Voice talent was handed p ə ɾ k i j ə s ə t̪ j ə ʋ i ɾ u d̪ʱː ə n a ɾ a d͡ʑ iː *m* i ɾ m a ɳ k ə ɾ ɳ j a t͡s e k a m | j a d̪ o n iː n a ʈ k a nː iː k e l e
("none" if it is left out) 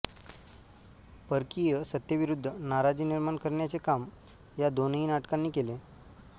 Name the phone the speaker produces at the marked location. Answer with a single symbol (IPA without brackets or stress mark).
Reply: n